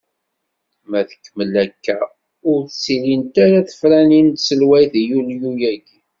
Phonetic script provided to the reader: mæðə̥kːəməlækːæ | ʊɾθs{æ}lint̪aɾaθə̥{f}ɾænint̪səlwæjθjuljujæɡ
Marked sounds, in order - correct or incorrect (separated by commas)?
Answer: incorrect, correct